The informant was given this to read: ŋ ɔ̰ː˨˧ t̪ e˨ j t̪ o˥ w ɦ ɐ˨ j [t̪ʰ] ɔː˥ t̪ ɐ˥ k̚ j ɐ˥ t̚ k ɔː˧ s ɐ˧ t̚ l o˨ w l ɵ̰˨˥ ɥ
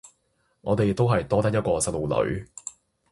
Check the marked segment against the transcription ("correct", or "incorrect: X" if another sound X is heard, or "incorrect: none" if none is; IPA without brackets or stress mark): incorrect: t̪